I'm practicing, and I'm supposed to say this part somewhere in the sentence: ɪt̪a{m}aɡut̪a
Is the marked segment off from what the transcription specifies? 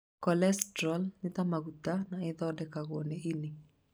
no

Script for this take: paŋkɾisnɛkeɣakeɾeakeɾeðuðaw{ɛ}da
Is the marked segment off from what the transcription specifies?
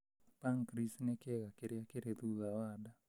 yes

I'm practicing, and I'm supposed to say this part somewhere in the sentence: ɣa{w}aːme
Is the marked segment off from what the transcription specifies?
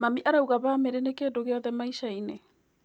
yes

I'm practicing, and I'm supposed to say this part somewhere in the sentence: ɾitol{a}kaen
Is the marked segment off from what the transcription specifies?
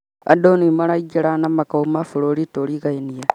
yes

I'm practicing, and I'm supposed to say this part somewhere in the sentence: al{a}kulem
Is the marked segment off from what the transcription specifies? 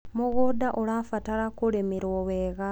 no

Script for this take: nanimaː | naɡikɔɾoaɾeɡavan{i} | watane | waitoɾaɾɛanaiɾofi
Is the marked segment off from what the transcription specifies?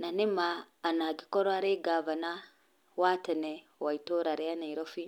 yes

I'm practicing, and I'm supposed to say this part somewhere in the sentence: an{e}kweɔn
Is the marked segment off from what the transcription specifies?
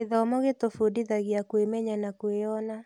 yes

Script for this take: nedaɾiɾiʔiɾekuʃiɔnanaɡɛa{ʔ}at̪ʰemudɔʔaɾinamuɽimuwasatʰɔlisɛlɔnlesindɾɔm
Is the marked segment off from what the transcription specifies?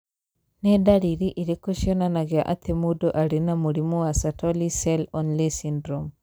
no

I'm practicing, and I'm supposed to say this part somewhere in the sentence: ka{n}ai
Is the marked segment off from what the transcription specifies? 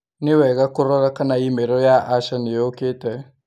no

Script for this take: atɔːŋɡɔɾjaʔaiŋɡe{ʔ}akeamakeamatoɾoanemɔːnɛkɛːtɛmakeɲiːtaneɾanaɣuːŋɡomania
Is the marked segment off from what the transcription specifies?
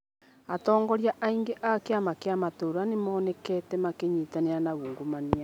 no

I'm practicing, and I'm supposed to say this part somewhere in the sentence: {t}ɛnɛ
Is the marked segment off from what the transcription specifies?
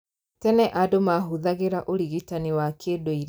no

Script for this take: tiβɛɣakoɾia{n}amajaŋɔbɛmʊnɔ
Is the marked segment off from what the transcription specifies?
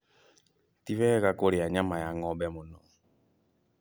yes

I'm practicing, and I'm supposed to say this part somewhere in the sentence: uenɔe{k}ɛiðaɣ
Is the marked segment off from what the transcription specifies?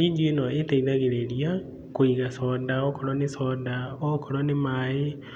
yes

